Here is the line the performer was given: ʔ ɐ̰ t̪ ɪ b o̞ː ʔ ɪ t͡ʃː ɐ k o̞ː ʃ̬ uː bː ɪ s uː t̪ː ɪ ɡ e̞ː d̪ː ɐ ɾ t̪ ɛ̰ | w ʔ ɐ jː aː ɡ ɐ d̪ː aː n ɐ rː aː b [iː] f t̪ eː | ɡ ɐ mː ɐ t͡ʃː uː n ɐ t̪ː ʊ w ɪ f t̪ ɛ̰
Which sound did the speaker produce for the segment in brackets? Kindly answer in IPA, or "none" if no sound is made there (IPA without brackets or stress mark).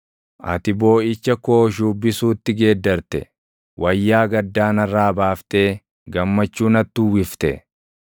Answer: aː